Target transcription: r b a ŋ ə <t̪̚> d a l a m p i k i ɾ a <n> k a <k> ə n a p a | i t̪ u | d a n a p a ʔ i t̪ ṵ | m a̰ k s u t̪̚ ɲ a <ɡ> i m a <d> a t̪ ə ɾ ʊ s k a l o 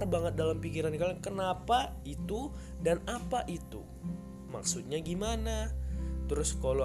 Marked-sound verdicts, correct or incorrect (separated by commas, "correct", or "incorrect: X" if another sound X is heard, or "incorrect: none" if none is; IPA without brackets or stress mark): correct, correct, correct, correct, incorrect: n